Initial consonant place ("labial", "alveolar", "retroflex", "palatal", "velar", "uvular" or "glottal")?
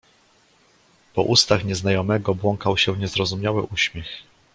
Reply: labial